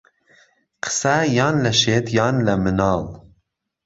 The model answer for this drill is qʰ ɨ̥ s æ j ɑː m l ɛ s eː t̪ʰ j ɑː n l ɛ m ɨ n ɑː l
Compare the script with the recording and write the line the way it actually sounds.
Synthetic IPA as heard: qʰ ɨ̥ s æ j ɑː n l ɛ ʃ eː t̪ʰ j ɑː n l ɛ m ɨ n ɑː l